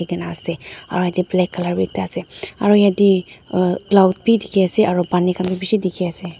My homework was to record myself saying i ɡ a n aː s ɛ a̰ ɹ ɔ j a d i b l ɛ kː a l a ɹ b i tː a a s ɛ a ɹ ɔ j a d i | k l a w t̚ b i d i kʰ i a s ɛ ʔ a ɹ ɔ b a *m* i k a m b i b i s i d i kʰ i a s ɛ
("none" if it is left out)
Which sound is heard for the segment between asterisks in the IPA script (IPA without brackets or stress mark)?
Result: n